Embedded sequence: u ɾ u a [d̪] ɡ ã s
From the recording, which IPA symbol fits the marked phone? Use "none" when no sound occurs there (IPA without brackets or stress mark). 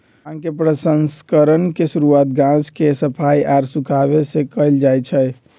t̪